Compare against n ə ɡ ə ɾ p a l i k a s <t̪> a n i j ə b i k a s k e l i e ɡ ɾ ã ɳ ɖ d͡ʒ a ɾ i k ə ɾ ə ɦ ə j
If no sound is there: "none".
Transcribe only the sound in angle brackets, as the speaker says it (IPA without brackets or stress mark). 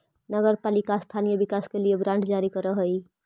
t̪ʰ